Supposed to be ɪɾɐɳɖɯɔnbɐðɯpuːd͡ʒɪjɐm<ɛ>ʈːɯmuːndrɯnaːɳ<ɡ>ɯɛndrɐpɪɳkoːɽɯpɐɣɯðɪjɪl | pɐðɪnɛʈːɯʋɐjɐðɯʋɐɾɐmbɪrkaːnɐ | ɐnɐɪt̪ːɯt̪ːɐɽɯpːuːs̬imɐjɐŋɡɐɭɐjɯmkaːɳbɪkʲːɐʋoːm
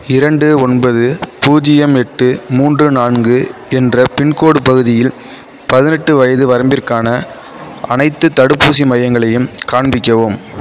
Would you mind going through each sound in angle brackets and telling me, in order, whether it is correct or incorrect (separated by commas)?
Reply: correct, correct